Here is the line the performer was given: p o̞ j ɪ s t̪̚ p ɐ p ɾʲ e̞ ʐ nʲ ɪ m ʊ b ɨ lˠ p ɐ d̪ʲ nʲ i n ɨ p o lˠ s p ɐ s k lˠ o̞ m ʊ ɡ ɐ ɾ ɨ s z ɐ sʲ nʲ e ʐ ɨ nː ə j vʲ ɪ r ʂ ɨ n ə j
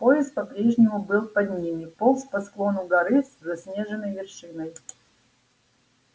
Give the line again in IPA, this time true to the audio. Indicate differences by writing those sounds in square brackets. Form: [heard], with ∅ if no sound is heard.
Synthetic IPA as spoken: p o̞ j ɪ s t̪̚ p ɐ p ɾʲ e̞ ʐ nʲ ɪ m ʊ b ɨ lˠ p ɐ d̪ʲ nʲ i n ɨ p o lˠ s p ɐ s k lˠ o̞ [n] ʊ ɡ ɐ ɾ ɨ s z ɐ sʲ nʲ e ʐ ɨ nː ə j vʲ ɪ r ʂ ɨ n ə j